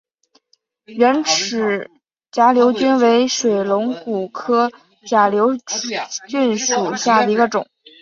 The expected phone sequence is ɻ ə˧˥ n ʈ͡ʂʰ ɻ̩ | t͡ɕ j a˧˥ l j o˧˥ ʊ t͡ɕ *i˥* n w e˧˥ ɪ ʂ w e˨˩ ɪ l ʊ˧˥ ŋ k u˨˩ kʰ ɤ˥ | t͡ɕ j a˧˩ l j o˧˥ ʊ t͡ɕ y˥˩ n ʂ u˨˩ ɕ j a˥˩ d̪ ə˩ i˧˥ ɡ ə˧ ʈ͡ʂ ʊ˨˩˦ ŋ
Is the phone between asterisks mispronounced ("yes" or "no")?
yes